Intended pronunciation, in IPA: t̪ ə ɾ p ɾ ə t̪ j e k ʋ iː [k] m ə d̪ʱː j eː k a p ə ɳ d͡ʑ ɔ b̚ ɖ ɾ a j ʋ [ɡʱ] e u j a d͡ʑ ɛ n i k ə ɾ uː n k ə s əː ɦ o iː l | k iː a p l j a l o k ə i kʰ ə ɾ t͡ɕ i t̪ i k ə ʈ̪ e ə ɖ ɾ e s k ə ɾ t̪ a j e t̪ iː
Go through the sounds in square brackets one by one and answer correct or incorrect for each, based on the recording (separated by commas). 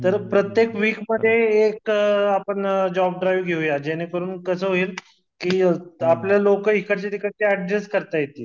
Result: correct, correct